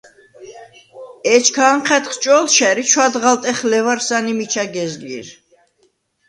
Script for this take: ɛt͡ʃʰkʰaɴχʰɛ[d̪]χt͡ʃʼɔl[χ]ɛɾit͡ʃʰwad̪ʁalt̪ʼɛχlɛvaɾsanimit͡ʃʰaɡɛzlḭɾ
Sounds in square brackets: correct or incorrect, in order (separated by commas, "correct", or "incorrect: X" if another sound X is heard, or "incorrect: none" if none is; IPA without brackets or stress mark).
incorrect: t̪, incorrect: ʃ